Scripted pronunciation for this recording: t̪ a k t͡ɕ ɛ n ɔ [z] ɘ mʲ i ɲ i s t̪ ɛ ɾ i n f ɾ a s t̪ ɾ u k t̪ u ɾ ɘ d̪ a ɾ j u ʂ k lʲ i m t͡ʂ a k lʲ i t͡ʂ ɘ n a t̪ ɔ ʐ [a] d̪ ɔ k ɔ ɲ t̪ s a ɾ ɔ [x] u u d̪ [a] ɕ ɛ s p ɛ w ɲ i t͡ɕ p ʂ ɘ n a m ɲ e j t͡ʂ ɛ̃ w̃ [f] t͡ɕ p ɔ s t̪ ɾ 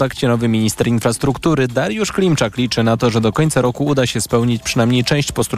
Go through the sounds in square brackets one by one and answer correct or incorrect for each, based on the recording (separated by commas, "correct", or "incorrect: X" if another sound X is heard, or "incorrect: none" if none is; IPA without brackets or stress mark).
incorrect: v, incorrect: ɛ, incorrect: k, correct, incorrect: ɕ